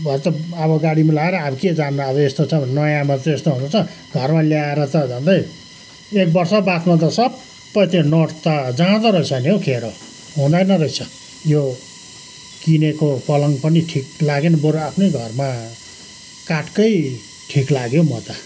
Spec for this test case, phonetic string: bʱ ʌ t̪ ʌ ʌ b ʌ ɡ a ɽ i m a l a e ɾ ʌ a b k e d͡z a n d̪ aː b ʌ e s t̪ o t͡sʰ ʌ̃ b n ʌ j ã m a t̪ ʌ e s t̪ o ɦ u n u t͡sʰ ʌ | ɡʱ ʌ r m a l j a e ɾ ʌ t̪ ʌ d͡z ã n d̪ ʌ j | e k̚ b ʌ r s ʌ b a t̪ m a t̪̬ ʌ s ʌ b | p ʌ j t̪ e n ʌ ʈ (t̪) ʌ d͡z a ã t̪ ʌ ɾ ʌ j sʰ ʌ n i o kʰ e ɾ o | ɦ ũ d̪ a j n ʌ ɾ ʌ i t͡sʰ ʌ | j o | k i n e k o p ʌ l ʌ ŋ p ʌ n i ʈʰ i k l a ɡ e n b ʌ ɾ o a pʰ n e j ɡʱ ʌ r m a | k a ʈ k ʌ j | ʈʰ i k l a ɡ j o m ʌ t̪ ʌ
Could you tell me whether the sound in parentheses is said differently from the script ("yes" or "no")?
no